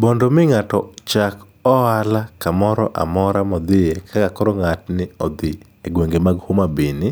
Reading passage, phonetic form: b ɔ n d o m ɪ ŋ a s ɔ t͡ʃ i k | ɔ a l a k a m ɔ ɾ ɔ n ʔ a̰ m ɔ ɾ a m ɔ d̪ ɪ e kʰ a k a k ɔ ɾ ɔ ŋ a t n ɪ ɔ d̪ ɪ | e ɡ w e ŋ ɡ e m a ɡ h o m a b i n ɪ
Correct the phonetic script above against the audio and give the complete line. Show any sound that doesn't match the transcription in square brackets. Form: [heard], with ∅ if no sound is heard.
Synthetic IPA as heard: b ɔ n d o m ɪ ŋ a [t] ɔ t͡ʃ [a] k | ɔ a l a k a m ɔ ɾ ɔ [∅] ʔ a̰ m ɔ ɾ a m ɔ d̪ ɪ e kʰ a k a k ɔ ɾ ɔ ŋ a t n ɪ ɔ d̪ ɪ | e ɡ w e ŋ ɡ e m a ɡ h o m a b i n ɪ